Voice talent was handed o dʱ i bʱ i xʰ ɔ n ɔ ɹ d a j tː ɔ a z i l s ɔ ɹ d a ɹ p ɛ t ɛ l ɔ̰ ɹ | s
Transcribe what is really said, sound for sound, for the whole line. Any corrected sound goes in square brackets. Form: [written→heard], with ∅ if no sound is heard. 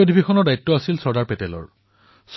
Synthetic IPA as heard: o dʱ i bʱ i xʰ ɔ n ɔ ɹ d a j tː ɔ a [z→s] i l s ɔ ɹ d a ɹ p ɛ t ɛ l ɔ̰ ɹ | s